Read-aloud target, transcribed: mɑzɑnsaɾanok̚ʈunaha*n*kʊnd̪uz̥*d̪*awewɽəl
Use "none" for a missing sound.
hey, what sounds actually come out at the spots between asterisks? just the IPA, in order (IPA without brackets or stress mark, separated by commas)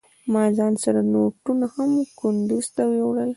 m, t̪